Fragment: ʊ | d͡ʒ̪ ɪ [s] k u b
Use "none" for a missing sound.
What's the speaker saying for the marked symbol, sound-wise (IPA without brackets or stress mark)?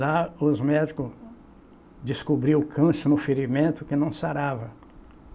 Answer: s